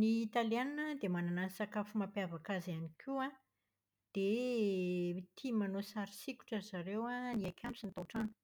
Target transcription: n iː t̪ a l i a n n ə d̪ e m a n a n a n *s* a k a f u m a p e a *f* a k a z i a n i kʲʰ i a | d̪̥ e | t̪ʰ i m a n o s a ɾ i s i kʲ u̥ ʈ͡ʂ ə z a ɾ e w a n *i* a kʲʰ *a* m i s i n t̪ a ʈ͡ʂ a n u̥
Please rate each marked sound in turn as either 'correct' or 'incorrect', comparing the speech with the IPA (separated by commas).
correct, incorrect, correct, correct